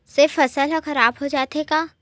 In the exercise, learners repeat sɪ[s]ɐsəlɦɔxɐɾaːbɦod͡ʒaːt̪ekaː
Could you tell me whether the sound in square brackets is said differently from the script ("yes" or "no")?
yes